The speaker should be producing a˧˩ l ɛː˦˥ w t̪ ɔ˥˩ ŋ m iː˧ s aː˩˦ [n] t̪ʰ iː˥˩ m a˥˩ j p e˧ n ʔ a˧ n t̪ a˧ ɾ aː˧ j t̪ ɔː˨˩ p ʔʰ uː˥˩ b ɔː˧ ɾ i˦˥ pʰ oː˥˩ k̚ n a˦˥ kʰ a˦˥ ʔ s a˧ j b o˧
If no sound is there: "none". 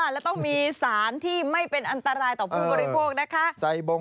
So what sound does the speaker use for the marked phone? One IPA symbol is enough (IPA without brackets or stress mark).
n